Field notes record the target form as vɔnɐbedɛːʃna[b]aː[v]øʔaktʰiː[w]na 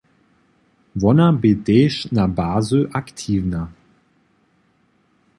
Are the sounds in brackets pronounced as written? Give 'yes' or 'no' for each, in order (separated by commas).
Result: yes, no, no